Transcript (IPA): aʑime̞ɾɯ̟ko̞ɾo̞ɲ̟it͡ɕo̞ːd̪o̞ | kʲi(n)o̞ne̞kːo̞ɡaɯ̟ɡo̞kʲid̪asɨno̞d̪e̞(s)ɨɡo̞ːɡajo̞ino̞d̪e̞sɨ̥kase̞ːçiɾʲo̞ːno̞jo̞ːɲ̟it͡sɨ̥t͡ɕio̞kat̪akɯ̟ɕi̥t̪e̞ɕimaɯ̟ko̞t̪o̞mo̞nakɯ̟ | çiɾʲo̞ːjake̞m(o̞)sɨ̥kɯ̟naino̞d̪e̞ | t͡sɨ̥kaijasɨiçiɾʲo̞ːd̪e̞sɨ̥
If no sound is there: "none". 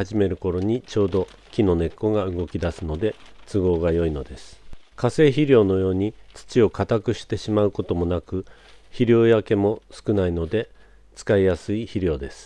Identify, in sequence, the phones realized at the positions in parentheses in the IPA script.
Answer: n, t͡s, o̞

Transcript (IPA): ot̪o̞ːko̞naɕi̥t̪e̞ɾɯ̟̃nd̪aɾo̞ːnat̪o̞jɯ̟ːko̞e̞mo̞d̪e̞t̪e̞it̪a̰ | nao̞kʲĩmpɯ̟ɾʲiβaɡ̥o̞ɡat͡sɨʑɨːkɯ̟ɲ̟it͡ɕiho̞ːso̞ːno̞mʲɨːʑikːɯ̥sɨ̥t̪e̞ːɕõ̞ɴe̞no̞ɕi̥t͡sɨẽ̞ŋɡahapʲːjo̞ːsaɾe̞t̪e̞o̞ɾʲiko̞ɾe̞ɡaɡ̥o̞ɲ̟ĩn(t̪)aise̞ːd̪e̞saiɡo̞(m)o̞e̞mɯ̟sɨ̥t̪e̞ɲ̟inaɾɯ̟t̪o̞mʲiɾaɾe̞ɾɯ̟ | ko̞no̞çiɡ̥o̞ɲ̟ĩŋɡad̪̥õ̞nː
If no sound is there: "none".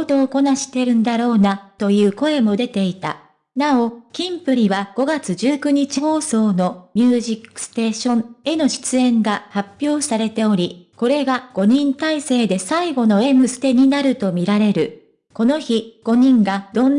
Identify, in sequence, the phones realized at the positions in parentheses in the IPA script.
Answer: t̪, n

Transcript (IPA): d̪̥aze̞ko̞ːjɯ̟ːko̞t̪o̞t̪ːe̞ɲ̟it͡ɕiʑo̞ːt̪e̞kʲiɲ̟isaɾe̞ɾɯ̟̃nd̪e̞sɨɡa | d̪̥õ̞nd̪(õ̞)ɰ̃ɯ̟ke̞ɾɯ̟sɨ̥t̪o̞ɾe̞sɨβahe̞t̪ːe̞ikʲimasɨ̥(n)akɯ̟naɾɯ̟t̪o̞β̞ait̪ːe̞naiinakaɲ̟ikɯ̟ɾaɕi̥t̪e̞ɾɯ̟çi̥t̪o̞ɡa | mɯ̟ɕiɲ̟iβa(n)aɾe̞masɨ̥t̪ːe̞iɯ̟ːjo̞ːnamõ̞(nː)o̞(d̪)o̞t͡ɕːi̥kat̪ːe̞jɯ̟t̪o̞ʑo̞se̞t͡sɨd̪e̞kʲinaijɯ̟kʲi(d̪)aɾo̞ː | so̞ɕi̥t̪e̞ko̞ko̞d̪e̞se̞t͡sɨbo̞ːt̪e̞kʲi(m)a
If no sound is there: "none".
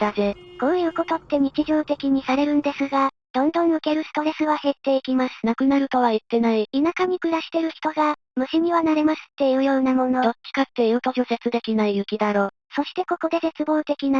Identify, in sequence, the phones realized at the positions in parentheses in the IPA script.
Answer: õ̞, n, n, n, d̪, d̪, n

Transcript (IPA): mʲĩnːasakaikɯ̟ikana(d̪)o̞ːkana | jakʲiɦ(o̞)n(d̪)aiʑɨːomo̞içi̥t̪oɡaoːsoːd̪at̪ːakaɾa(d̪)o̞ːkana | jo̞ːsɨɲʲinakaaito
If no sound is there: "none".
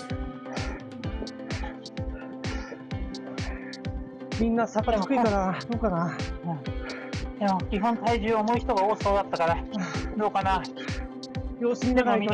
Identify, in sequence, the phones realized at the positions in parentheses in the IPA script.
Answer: d̪, õ̞, t̪, d̪

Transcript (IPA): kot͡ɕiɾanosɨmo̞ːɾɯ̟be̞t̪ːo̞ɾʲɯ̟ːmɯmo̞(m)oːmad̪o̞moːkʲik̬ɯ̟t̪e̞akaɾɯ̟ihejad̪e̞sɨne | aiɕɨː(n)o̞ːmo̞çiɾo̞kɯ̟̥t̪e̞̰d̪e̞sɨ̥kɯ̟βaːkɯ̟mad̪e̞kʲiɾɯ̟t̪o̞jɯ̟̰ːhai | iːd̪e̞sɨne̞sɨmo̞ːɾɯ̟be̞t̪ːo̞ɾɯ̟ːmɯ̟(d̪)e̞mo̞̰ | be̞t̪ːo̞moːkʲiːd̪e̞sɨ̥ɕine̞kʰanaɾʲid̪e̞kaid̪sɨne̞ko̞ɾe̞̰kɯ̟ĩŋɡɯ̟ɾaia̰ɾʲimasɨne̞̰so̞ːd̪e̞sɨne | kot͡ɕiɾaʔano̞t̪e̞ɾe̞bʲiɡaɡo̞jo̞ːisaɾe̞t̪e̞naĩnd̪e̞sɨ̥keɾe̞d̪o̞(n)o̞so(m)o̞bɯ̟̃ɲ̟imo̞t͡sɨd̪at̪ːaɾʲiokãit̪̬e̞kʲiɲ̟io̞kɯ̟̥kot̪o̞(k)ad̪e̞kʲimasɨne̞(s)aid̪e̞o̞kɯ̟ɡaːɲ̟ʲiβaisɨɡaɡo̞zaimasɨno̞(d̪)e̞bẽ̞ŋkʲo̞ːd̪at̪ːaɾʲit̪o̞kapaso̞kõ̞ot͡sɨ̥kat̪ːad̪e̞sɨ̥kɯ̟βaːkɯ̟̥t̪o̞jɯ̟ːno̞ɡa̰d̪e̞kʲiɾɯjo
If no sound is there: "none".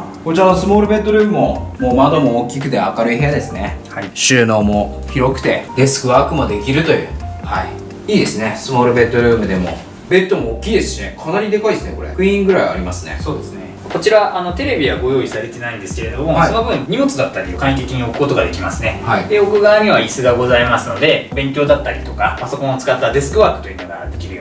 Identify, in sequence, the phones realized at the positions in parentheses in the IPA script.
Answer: m, n, d̪, m, n, ɡ, h, d̪

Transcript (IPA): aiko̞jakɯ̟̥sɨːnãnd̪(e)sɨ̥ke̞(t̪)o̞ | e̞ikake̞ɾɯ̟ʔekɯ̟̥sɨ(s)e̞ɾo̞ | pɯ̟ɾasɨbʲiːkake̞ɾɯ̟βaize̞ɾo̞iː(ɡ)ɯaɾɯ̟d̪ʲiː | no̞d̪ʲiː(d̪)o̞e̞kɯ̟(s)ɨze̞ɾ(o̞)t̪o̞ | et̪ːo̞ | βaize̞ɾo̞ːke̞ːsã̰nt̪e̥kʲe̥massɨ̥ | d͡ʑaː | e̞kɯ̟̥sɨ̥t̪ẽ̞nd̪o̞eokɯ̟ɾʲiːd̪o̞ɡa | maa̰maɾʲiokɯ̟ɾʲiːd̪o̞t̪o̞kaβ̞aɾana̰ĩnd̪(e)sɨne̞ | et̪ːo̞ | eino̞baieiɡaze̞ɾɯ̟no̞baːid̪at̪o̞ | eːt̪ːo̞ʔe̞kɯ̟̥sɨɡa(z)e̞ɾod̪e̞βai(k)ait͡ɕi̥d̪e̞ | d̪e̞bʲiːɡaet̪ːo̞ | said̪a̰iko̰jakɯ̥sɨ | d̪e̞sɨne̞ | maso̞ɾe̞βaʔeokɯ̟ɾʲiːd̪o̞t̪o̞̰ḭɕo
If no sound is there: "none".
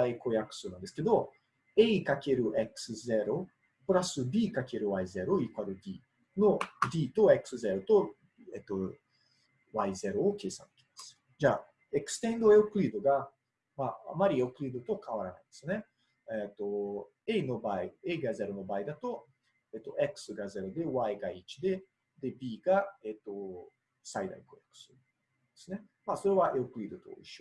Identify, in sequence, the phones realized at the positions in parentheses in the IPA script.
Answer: e, d̪, z, k, t̪, s, o̞, e, z, ɡ

